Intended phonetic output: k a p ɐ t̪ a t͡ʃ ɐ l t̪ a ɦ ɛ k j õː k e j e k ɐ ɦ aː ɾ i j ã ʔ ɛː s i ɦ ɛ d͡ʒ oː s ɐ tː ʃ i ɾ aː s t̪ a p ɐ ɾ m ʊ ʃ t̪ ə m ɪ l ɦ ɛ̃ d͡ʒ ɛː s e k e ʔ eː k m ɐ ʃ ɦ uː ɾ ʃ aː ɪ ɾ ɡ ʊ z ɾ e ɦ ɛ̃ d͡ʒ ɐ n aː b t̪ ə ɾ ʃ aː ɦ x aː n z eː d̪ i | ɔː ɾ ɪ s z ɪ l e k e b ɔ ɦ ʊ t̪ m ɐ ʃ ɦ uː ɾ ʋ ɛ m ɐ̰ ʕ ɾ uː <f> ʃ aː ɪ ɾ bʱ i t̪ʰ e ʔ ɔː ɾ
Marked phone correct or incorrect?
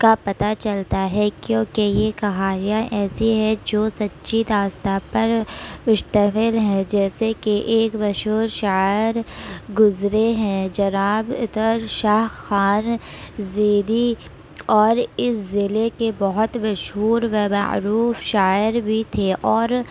correct